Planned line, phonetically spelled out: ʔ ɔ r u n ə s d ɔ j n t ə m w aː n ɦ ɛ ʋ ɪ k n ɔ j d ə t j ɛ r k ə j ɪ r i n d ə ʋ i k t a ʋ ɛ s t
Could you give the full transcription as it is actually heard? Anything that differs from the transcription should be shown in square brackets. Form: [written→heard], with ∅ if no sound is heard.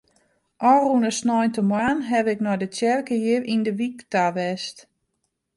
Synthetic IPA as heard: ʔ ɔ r u n ə s [d→n] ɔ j n t ə m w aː n ɦ ɛ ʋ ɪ k n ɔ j d ə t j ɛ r k ə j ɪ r i n d ə ʋ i k t a ʋ ɛ s t